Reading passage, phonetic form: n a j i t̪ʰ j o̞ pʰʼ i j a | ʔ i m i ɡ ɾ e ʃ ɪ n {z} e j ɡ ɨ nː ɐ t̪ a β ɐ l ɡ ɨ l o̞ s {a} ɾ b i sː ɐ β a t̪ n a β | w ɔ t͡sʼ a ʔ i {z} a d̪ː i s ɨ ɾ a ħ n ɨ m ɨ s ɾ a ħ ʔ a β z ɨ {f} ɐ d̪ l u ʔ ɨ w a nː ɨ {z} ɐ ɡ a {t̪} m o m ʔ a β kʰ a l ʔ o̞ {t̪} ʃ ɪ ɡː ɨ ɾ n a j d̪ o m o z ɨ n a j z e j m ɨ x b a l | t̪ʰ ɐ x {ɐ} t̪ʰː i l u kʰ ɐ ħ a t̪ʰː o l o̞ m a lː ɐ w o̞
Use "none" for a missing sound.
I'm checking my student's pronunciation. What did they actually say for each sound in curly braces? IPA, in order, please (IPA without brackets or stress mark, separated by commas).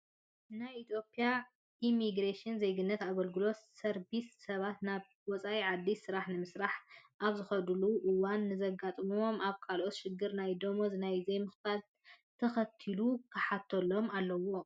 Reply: z, ɐ, ʕ, x, z, t̪ʼ, t̪, ɐ